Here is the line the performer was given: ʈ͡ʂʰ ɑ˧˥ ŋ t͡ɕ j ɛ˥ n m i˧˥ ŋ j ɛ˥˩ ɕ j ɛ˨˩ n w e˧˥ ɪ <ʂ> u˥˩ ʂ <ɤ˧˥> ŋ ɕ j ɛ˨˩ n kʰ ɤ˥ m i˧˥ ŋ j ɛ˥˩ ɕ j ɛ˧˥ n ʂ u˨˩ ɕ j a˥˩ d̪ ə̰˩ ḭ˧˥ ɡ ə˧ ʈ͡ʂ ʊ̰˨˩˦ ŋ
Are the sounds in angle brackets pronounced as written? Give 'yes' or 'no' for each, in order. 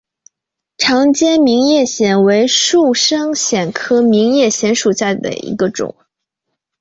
yes, no

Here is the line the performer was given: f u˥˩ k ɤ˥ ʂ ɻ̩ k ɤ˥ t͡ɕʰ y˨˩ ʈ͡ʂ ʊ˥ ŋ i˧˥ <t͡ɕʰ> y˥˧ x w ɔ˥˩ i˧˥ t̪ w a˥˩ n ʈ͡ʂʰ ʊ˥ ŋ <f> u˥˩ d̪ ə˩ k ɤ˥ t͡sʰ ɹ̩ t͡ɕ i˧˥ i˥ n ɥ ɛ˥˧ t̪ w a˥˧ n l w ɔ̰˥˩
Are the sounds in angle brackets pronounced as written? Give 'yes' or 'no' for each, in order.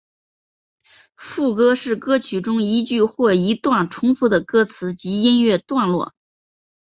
no, yes

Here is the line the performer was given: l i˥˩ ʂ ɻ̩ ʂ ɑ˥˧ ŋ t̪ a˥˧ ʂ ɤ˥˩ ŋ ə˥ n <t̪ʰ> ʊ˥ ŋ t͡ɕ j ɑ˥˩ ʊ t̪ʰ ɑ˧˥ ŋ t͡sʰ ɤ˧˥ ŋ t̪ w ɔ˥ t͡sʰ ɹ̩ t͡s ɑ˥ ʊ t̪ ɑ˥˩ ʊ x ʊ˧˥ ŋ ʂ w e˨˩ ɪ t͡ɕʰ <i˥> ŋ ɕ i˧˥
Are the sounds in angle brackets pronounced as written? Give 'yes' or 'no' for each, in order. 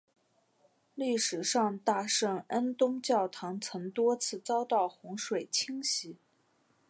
no, yes

